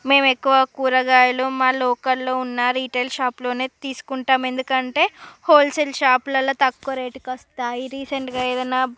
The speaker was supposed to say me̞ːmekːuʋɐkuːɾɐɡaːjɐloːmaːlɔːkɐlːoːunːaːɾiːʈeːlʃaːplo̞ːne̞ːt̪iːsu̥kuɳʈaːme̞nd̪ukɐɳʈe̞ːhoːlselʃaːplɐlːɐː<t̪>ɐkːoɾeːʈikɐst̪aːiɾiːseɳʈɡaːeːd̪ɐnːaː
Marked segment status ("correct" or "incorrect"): correct